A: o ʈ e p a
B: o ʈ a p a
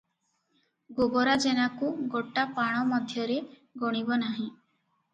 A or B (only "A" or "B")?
B